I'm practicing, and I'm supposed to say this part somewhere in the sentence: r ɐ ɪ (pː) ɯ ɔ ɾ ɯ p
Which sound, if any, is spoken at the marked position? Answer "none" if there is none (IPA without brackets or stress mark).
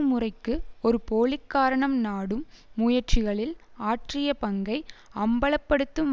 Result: kː